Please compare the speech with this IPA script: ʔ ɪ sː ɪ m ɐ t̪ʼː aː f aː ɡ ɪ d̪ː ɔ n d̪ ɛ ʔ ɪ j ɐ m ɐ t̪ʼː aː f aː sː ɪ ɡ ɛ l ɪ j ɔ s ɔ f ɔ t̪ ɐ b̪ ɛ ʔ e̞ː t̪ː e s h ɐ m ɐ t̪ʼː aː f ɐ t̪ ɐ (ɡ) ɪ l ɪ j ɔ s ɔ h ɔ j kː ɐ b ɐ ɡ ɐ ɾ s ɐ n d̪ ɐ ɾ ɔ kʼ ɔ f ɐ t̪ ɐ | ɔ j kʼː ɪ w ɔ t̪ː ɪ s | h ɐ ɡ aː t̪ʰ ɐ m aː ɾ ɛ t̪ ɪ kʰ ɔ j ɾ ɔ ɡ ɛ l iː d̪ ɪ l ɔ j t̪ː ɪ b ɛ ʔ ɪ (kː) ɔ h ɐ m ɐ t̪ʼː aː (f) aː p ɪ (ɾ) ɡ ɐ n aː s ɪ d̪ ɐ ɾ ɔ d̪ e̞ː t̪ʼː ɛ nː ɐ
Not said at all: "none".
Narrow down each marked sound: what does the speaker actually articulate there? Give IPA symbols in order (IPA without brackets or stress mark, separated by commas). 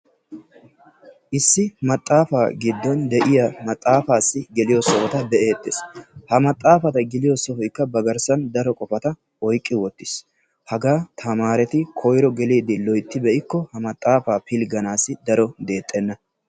ɡ, kː, f, l